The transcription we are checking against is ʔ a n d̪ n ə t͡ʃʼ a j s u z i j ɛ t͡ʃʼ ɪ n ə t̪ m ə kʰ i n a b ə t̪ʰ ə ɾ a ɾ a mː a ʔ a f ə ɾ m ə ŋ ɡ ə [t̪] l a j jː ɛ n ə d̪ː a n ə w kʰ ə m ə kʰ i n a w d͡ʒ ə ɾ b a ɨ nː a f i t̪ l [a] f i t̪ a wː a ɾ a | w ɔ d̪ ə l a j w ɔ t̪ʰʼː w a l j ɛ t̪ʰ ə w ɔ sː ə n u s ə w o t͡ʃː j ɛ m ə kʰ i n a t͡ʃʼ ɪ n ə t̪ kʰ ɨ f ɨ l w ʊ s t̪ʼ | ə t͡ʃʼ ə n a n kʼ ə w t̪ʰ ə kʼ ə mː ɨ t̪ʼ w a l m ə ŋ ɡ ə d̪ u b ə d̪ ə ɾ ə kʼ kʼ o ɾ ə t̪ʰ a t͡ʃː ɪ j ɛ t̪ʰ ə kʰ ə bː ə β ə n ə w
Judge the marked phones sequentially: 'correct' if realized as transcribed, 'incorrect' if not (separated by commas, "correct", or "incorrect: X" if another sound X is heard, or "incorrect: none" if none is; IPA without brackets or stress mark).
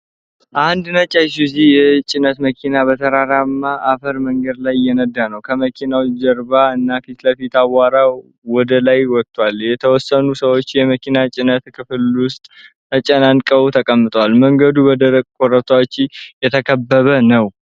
incorrect: d̪, incorrect: ə